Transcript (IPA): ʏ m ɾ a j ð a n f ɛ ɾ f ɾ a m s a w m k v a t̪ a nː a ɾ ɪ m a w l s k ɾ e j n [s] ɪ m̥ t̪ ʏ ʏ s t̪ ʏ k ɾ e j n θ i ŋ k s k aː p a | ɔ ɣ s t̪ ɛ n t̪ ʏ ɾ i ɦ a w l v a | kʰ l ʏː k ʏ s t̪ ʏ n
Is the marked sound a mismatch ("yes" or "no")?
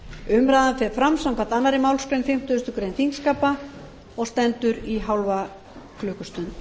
yes